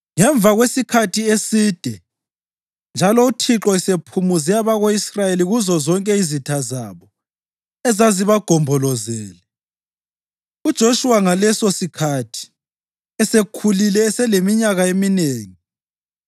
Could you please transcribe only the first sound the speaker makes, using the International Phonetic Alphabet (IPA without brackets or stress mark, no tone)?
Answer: ŋ